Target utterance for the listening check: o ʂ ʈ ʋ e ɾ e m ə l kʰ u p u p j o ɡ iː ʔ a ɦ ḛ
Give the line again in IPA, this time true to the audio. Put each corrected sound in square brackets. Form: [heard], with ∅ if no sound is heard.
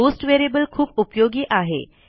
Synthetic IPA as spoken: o [s] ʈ ʋ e ɾ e [b] ə l kʰ [uː] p u p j o ɡ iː ʔ a ɦ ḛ

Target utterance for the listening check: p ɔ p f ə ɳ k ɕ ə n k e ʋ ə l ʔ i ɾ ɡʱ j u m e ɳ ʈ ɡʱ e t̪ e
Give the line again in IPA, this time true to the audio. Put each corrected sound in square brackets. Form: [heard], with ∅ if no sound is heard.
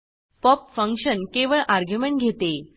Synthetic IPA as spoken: p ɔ p f ə [ŋ] k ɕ ə n k e ʋ ə [ɭ] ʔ [a] ɾ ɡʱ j u m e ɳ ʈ ɡʱ e t̪ e

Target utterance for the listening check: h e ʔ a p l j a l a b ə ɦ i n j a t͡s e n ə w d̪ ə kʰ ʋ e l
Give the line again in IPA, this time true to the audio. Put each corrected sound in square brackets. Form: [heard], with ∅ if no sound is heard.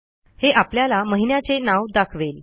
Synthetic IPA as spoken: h e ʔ a p l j a l a [m] ə ɦ i n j a t͡s e n [a] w d̪ [a] kʰ ʋ e l

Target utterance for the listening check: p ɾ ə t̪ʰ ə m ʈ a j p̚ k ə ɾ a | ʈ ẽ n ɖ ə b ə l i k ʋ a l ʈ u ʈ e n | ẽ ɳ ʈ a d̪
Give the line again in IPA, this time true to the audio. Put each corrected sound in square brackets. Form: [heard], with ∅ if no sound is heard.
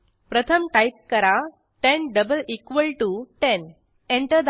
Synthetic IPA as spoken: p ɾ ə t̪ʰ ə m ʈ a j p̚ k ə ɾ a | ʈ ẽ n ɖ ə b ə l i k ʋ [ə] l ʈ u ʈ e n | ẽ ɳ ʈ [ə] d̪

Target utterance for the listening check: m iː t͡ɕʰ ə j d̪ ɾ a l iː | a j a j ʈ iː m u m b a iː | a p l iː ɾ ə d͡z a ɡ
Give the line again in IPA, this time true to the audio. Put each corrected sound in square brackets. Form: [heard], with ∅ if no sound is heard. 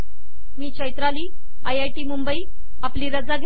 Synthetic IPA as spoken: m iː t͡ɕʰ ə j [t̪] ɾ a l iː | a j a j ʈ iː m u m b [ə] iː | a p l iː ɾ ə d͡z a ɡ

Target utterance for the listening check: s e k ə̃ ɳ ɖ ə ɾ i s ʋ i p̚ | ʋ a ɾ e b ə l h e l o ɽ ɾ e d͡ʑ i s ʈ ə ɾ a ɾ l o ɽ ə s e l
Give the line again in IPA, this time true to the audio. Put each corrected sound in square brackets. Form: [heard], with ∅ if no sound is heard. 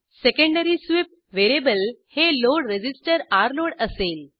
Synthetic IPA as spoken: s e k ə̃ ɳ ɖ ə ɾ i s ʋ i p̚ | ʋ [e] ɾ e b ə l h e l o ɽ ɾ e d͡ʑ i s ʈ ə ɾ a ɾ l o ɽ ə s e l

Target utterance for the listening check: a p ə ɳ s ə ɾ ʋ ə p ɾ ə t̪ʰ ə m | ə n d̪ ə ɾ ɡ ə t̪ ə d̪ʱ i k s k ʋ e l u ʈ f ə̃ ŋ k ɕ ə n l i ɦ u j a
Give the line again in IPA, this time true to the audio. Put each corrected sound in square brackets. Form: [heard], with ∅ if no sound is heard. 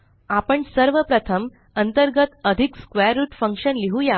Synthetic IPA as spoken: a p ə ɳ s ə ɾ ʋ ə p ɾ ə t̪ʰ ə m | ə n [t̪] ə ɾ ɡ ə t̪ ə d̪ʱ i k s k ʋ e [ɾ] u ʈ f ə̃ ŋ k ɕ ə n l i ɦ u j a

